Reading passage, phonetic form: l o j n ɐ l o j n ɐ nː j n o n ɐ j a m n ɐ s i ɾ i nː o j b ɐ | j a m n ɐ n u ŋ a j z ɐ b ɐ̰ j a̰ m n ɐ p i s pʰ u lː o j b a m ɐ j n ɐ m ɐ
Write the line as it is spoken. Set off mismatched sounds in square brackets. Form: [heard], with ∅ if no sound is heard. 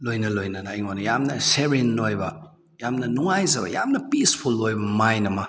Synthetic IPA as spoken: l o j n ɐ l o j n ɐ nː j [ŋ] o n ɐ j a m n ɐ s [e] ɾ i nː o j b ɐ | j a m n ɐ n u ŋ a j z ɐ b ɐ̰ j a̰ m n ɐ p i s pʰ u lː o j b [ɐ] m [a] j n ɐ m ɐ